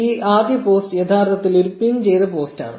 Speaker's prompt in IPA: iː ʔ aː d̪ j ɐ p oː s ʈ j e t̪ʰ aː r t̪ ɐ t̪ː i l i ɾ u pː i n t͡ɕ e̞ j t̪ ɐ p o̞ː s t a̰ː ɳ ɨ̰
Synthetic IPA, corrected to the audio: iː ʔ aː d̪ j ɐ p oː s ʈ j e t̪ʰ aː r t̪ ɐ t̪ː i l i ɾ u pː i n t͡ɕ e̞ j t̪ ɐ p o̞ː s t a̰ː ɳ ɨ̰